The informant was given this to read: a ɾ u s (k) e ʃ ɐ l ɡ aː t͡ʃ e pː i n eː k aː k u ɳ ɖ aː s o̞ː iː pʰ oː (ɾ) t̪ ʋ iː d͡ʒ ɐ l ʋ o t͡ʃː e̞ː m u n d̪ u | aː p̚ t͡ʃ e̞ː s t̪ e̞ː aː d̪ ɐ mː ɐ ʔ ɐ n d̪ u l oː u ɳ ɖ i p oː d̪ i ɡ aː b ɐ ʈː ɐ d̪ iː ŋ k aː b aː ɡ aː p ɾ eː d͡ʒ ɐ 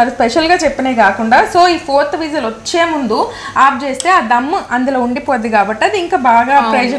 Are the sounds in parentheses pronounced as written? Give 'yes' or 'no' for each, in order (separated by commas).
no, yes